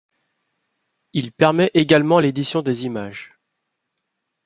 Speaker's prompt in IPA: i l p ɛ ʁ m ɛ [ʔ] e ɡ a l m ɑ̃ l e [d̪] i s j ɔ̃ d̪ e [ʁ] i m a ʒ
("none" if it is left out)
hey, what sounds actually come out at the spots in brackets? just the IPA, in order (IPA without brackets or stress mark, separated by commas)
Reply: ʔ, d̪, z